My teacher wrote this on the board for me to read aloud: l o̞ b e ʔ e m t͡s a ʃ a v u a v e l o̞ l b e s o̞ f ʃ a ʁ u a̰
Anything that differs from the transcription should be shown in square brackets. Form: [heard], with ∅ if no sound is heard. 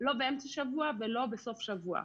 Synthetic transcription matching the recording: l o̞ b e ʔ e m t͡s a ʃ a v u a v e l o̞ [∅] b e s o̞ f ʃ a [v] u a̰